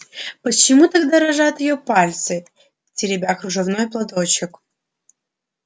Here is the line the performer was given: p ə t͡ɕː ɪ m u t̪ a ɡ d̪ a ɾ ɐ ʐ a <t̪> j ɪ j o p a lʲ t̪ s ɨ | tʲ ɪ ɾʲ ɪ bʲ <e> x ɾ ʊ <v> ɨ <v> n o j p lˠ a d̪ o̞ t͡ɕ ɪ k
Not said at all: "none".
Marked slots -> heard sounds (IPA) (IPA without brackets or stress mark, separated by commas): t̪, a, ʐ, v